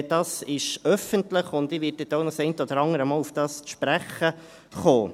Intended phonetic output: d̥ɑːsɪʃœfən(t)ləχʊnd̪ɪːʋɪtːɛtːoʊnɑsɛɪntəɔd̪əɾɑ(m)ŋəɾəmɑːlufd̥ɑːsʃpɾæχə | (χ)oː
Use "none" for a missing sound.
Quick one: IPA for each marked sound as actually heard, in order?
t, none, χ

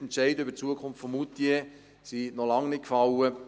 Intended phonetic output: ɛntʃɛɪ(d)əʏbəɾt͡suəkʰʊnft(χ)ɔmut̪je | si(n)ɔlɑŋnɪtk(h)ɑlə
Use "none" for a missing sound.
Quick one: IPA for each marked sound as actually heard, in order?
d, f, n, f

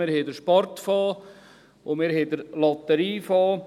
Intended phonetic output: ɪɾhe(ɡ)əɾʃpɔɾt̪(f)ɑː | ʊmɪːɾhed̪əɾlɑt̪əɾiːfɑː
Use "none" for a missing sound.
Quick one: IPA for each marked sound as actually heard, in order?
d, f

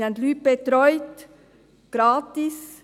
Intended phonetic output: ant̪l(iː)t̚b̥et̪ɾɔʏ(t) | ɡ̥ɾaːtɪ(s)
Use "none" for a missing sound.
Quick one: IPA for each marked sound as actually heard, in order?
yː, t, s

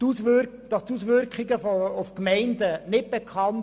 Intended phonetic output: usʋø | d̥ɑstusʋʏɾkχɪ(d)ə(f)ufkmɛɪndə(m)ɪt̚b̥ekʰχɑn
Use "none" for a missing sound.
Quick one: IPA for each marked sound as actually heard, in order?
ɡ, f, n

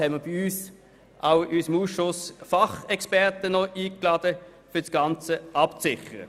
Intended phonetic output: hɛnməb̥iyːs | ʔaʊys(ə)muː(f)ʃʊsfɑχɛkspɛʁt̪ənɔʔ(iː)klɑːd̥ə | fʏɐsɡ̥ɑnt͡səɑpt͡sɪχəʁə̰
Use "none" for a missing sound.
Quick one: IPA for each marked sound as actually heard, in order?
ə, s, iː

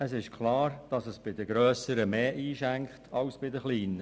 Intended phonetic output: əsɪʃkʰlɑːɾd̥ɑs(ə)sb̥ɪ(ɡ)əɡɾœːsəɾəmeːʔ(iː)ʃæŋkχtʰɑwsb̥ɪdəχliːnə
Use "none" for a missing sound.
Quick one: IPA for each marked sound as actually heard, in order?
ə, d, iː

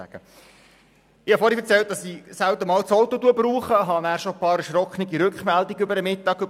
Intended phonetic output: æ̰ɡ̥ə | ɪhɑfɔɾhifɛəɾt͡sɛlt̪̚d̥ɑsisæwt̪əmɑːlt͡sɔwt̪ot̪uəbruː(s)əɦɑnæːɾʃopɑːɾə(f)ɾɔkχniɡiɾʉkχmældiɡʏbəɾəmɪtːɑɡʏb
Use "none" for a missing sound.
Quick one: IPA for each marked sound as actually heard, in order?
χ, ʃ

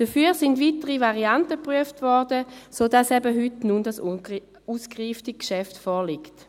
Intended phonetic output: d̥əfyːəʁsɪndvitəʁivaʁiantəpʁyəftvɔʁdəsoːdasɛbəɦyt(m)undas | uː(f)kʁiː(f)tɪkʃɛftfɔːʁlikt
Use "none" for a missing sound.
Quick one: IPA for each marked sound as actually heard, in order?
n, s, f

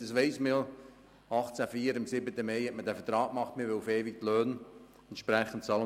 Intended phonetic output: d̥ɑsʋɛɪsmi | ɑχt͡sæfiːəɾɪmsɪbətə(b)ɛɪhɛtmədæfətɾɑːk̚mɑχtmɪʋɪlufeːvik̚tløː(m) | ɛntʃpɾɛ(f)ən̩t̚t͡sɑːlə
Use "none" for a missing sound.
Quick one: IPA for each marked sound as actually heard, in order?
m, n, χ

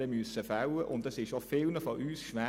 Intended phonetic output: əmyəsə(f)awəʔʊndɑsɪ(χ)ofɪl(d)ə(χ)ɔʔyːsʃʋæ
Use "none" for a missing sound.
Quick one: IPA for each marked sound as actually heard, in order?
f, ʃ, n, f

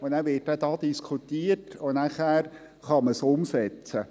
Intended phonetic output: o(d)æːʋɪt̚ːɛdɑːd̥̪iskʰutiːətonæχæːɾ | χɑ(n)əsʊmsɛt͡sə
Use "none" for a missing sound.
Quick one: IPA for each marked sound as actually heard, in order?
n, m

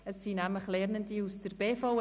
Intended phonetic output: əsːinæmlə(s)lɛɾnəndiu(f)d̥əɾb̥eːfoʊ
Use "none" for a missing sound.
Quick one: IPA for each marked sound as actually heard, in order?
χ, s

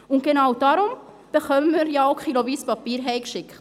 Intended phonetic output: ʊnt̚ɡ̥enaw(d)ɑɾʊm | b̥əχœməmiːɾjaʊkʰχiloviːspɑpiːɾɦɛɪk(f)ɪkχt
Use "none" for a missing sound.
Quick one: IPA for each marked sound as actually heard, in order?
d, ʃ

